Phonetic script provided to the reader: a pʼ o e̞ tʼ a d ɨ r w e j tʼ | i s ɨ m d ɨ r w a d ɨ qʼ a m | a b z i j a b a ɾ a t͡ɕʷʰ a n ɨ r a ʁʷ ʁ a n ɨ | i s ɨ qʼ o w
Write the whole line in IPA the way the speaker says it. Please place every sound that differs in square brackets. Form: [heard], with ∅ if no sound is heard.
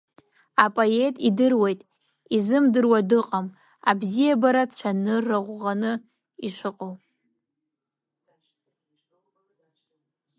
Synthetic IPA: a pʼ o e̞ tʼ [i] d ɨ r w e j tʼ | i [z] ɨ m d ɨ r w a d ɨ qʼ a m | a b z i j a b a ɾ a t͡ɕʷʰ a n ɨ r a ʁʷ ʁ a n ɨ | i [ʂ] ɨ qʼ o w